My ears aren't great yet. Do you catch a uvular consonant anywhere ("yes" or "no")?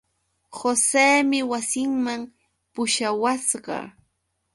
yes